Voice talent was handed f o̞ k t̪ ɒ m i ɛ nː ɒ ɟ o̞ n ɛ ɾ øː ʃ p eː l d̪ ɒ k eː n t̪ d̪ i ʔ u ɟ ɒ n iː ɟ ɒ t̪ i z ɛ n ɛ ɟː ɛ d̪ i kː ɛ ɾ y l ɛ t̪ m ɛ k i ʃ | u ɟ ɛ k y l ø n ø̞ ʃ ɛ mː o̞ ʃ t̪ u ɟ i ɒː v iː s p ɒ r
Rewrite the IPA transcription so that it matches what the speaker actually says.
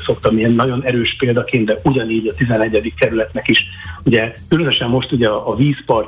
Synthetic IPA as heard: s o̞ k t̪ ɒ m i ɛ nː ɒ ɟ o̞ n ɛ ɾ øː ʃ p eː l d̪ ɒ k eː n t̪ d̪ ɛ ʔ u ɟ ɒ n iː ɟ ɒ t̪ i z ɛ n ɛ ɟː ɛ d̪ i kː ɛ ɾ y l ɛ t̪ n ɛ k i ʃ | u ɟ ɛ k y l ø n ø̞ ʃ ɛ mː o̞ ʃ t̪ u ɟ ɛ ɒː v iː s p ɒ r